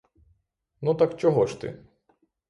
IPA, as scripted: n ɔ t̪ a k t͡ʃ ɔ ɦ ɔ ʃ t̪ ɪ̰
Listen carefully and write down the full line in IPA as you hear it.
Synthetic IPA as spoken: n u t̪ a k t͡ʃ ɔ ɦ ɔ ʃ t̪ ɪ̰